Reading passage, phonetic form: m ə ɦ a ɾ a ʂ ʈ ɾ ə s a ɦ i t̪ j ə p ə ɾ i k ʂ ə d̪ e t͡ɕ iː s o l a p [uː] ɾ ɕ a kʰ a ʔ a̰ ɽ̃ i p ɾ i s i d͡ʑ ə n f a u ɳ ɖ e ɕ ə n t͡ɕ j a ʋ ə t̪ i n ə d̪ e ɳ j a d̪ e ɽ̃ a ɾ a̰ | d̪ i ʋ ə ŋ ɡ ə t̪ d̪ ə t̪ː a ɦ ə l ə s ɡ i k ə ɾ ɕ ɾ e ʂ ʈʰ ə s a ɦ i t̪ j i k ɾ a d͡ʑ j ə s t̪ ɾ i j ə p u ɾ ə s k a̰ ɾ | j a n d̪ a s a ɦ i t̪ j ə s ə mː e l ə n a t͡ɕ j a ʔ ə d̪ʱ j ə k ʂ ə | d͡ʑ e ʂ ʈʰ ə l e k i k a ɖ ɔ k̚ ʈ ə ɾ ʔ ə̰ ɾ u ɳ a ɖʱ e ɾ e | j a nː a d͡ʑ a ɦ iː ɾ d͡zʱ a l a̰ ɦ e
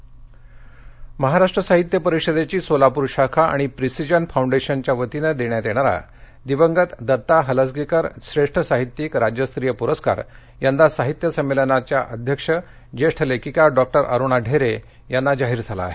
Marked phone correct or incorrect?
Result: incorrect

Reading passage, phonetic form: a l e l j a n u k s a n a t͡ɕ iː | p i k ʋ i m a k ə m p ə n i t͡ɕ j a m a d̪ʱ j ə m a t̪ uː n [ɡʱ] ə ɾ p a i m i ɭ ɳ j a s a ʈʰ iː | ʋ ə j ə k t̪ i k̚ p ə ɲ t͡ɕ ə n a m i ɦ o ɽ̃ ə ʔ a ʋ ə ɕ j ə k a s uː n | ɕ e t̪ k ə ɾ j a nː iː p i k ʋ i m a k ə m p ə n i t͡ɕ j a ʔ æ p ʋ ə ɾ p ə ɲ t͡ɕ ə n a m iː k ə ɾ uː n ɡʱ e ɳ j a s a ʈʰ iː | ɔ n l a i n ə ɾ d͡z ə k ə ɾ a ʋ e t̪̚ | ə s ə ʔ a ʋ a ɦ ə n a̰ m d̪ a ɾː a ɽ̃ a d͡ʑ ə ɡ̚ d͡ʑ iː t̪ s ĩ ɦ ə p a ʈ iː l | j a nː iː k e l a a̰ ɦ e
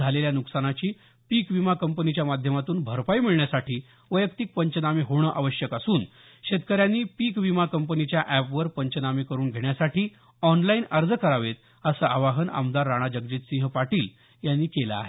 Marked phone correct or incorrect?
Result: incorrect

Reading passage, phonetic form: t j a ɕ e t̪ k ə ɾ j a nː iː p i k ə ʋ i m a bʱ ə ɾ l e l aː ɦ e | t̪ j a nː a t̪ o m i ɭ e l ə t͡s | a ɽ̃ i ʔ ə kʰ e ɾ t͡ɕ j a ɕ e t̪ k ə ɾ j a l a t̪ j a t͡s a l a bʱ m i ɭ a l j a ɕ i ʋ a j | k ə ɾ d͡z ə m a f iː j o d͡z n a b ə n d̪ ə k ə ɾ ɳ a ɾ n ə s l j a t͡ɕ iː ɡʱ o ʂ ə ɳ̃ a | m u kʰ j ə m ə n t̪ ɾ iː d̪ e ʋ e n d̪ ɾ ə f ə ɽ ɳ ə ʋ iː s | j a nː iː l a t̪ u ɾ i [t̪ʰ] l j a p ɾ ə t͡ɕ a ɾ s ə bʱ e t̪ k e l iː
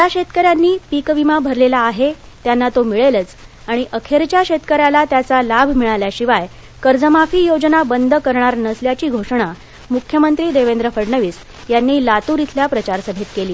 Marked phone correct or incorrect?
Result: correct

